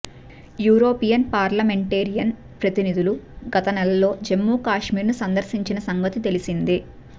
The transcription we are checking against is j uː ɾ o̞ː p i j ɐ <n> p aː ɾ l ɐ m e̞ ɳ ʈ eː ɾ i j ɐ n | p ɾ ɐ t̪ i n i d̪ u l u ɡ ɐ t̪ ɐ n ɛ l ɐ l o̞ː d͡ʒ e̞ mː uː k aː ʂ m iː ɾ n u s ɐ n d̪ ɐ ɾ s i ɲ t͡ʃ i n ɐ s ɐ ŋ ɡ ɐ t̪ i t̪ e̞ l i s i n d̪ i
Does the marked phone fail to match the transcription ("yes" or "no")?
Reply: no